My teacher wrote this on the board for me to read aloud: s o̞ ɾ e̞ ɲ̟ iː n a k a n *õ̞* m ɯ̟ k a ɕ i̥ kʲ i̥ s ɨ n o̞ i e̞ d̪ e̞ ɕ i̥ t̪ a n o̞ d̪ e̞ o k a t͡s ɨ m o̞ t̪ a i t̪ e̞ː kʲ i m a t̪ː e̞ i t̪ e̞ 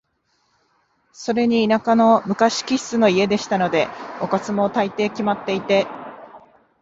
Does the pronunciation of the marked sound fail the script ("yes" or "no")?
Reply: yes